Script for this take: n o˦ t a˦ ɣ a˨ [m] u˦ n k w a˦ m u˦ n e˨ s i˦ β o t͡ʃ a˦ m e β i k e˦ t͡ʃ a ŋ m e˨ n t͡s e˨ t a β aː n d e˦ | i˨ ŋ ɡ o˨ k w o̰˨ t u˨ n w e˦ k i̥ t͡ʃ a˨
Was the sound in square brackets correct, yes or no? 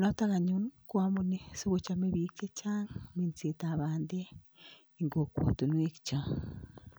no